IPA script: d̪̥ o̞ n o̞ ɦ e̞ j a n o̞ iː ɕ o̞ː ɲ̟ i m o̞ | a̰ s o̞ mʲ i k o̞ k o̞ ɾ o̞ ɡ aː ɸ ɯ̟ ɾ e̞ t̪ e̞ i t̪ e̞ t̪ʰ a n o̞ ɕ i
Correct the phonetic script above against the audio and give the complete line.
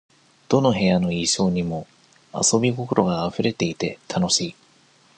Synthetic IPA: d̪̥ o̞ n o̞ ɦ e̞ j a n o̞ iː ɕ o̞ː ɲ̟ i m o̞ | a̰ s o̞ bʲ i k o̞ k o̞ ɾ o̞ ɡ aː ɸ ɯ̟ ɾ e̞ t̪ e̞ i t̪ e̞ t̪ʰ a n o̞ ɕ iː

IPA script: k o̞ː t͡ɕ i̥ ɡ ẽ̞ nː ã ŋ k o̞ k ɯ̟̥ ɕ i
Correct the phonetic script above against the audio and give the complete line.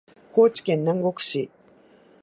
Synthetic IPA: k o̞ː t͡ɕ i̥ k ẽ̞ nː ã ŋ ɡ o̞ k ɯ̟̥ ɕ i

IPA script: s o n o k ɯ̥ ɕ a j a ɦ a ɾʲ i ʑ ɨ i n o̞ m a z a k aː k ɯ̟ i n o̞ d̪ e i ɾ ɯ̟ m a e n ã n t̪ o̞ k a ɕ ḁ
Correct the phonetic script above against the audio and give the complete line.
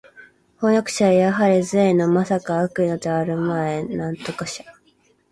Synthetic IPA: h o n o k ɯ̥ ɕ a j a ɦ a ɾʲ i z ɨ e n o̞ m a s a k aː k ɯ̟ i n o̞ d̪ e a ɾ ɯ̟ m a e n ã n t̪ o̞ k a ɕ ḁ

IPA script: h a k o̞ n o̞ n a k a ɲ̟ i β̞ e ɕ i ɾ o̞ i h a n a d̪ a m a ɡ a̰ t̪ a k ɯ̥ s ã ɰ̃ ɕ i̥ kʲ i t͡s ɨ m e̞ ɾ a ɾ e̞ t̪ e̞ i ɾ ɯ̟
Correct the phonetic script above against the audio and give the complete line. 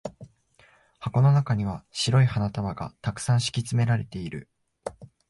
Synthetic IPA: h a k o̞ n o̞ n a k a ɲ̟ i β̞ a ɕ i ɾ o̞ i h a n a t̪ a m a ɡ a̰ t̪ a k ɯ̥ s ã ɰ̃ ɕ i̥ kʲ i t͡s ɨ m e̞ ɾ a ɾ e̞ t̪ e̞ i ɾ ɯ̟

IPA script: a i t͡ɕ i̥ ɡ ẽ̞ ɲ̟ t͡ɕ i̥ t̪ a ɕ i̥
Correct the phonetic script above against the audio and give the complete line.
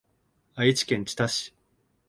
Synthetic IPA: a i t͡ɕ i̥ k ẽ̞ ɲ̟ t͡ɕ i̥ t̪ a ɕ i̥

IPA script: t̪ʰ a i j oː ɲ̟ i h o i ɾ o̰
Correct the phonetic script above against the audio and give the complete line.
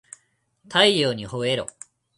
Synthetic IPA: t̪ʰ a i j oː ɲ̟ i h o e ɾ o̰

